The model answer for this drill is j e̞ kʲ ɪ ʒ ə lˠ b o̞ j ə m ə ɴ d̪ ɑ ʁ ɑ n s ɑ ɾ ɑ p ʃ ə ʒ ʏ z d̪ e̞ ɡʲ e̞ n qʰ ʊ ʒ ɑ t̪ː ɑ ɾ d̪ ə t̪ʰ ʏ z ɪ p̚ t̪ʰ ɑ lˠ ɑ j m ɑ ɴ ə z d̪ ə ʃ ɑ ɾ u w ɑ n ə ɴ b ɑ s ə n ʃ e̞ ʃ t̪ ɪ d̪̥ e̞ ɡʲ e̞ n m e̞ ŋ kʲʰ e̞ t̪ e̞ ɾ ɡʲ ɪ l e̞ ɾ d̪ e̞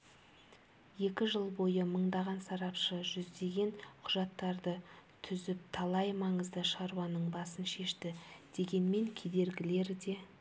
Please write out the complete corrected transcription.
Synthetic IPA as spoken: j e̞ kʲ ɪ ʒ ə lˠ b o̞ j ə m ə ɴ d̪ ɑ ʁ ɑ n s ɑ ɾ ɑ p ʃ ə ʒ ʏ z d̪ e̞ ɡʲ e̞ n qʰ ʊ ʒ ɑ t̪ː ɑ ɾ d̪ ə t̪ʰ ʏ z ɪ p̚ t̪ʰ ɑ lˠ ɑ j m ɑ ɴ ə z d̪ ə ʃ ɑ ɾ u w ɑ n ə ɴ b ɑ s ə n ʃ e̞ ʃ t̪ ɪ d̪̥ e̞ ɡʲ e̞ n m e̞ ŋ kʲʰ e̞ d̪ e̞ ɾ ɡʲ ɪ l e̞ ɾ d̪ e̞